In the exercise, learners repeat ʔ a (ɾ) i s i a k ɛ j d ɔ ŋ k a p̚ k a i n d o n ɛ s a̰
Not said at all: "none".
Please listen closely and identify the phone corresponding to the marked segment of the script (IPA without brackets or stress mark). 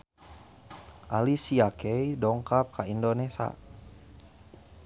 l